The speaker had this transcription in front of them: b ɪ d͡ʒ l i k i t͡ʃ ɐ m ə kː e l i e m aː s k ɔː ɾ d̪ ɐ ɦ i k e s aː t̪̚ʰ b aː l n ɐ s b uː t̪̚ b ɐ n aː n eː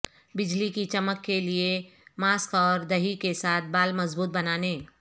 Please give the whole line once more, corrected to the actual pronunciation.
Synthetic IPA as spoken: b ɪ d͡ʒ l i k i t͡ʃ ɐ m ə kː e l i e m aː s k ɔː ɾ d̪ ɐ ɦ i k e s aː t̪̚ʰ b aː l m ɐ z b uː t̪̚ b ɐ n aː n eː